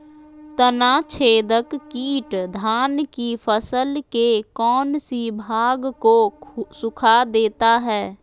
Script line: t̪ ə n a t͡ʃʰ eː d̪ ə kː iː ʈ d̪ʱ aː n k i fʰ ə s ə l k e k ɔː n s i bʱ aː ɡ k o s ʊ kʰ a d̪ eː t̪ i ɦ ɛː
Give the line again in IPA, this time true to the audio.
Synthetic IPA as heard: t̪ ə n a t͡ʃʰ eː d̪ ə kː iː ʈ d̪ʱ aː n k i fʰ ə s ə l k e k ɔː n s i bʱ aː ɡ k o s ʊ kʰ a d̪ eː t̪ a ɦ ɛː